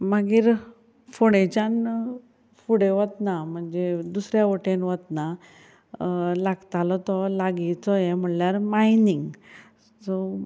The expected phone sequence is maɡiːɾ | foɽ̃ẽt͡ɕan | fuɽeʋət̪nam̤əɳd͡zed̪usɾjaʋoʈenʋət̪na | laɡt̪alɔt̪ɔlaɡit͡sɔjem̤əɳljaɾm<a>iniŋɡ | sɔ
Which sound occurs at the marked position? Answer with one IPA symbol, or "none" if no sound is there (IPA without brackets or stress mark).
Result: a